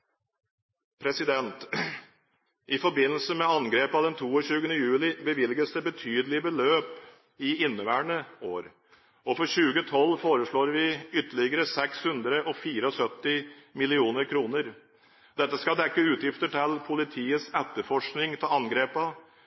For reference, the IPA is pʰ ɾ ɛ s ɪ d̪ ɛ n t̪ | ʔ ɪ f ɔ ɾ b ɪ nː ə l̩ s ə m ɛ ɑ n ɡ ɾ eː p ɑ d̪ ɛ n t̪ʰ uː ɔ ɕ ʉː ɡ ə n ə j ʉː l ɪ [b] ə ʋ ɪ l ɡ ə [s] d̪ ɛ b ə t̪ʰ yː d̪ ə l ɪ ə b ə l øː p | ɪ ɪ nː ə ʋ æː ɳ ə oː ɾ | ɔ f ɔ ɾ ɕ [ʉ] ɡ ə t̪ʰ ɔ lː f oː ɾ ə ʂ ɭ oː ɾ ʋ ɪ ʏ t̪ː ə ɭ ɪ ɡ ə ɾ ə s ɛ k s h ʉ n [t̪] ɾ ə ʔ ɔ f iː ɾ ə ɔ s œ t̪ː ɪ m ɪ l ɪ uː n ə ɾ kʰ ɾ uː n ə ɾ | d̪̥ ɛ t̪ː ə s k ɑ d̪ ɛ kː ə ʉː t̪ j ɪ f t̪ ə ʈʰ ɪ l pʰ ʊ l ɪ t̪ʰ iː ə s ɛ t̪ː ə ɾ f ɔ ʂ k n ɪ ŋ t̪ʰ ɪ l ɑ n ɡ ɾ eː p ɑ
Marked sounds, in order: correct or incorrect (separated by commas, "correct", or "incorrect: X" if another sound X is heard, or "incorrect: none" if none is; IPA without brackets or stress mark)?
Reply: correct, correct, incorrect: ʉː, incorrect: d̪